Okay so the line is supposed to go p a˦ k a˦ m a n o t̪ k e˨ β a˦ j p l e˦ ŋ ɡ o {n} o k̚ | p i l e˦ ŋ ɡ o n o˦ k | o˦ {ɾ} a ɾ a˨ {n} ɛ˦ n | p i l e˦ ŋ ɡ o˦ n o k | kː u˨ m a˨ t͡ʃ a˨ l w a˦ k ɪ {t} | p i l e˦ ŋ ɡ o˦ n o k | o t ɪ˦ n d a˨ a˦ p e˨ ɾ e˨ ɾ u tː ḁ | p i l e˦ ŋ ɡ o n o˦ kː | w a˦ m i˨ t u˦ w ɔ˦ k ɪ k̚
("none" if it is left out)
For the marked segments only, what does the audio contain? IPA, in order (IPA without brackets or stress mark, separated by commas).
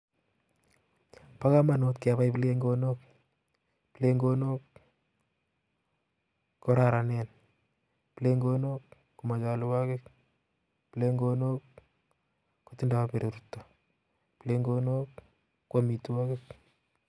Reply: n, ɾ, n, k